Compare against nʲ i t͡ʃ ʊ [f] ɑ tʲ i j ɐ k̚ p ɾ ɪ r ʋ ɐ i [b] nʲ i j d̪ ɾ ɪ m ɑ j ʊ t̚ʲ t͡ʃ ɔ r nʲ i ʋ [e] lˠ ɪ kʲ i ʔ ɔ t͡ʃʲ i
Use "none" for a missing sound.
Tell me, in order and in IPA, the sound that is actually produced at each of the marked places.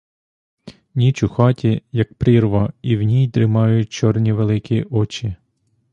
x, w, e

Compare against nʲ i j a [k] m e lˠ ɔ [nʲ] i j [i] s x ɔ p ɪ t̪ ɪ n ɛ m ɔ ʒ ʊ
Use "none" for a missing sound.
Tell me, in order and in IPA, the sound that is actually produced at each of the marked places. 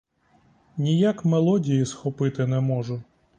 k, dʲ, i

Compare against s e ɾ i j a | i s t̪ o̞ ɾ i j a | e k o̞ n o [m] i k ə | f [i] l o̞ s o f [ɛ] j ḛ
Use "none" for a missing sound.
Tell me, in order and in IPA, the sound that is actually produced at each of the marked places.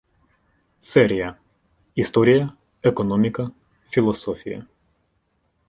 m, i, i

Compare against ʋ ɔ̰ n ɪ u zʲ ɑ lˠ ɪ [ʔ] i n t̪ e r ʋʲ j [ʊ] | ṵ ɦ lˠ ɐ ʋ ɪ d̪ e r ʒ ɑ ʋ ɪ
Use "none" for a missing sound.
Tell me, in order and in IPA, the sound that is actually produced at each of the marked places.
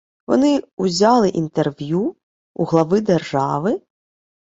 ʔ, u

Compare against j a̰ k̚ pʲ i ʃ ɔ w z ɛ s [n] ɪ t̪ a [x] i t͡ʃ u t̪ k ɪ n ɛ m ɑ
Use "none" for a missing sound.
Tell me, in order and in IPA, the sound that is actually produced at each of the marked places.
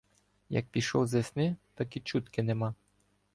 n, k

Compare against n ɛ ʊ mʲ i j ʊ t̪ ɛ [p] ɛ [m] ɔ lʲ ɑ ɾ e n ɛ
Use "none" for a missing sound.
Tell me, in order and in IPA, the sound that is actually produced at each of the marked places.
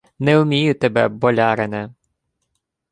b, b

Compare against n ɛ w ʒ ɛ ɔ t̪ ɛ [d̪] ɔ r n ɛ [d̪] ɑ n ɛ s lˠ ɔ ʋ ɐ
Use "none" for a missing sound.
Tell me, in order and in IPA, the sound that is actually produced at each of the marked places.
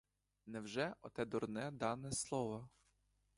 d̪, d̪

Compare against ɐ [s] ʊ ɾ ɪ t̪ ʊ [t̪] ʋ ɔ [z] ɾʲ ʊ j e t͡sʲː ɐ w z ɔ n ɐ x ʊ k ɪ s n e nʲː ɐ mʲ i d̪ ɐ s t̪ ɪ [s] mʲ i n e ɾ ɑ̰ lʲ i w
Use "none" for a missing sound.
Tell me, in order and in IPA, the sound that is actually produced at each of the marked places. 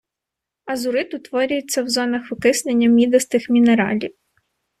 z, t̪, none, x

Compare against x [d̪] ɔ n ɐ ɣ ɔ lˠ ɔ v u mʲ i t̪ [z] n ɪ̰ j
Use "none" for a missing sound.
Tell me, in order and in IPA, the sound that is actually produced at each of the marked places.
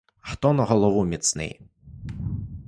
t̪, s

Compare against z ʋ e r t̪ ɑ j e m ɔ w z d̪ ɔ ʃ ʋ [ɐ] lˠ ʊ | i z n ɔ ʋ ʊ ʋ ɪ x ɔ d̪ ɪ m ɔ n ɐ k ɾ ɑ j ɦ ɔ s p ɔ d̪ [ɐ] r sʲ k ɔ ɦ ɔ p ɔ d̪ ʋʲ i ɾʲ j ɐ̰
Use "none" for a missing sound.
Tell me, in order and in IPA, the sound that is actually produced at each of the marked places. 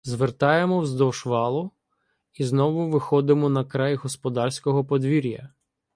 ɑ, ɑ

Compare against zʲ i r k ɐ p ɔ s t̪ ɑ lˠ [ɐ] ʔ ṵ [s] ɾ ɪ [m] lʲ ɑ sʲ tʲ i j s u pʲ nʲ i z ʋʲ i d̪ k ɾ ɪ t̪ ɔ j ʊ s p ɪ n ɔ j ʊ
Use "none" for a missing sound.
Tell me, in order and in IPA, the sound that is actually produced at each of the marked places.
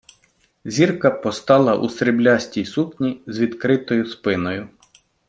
ɐ, s, b

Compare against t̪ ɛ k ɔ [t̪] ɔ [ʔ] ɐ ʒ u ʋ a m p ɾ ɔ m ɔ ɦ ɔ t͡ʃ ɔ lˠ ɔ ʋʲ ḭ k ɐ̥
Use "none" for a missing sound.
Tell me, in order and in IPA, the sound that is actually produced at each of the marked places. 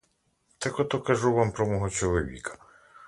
t̪, k

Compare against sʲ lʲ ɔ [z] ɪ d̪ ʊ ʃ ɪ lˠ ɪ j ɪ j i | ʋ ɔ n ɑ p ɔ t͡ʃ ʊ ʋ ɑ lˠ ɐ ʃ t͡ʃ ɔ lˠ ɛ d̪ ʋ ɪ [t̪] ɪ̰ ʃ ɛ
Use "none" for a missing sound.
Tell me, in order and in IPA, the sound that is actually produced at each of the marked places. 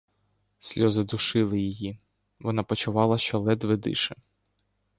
z, d̪

